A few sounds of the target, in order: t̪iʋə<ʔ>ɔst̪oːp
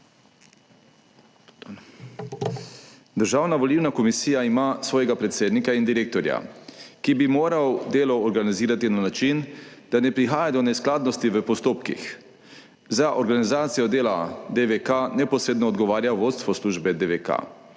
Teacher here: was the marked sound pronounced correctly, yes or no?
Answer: no